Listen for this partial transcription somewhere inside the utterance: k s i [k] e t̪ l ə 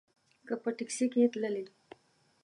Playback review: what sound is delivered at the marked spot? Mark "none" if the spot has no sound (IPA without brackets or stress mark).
k